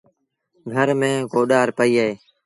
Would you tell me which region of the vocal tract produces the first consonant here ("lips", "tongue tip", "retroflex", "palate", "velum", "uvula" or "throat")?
velum